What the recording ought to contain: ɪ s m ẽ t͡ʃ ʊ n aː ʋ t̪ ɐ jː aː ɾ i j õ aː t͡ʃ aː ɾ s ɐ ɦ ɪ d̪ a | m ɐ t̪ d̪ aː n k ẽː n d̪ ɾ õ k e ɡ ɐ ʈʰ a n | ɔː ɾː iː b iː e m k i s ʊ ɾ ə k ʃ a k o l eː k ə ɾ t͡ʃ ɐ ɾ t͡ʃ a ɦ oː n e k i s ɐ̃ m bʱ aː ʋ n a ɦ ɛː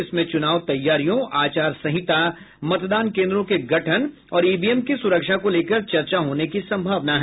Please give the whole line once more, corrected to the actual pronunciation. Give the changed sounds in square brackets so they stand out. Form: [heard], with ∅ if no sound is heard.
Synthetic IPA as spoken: ɪ s m ẽ t͡ʃ ʊ n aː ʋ t̪ ɐ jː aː ɾ i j õ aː t͡ʃ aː ɾ s ɐ ɦ ɪ [t̪] a | m ɐ t̪ d̪ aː n k ẽː n d̪ ɾ õ k e ɡ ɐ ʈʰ [ə] n | ɔː [ɾ] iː b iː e m k i s ʊ ɾ ə k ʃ a k o l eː k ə ɾ t͡ʃ ɐ ɾ t͡ʃ a ɦ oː n e k i s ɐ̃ m bʱ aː ʋ n a ɦ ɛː